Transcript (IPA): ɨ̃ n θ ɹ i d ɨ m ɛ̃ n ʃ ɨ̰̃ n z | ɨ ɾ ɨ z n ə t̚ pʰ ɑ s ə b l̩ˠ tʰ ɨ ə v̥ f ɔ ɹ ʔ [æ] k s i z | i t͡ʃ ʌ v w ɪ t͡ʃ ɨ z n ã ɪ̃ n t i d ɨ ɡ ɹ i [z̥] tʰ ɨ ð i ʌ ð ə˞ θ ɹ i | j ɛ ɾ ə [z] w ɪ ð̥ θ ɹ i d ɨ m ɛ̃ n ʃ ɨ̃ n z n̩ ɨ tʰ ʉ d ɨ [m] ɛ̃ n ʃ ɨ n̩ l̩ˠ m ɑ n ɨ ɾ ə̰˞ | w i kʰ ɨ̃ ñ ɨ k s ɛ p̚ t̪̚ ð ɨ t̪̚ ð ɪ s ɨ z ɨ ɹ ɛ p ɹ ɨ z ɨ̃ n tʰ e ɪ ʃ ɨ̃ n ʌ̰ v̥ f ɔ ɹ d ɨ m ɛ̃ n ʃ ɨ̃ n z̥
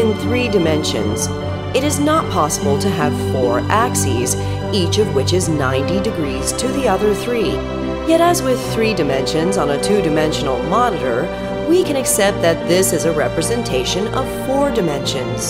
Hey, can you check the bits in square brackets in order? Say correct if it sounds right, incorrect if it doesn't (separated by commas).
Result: correct, correct, correct, correct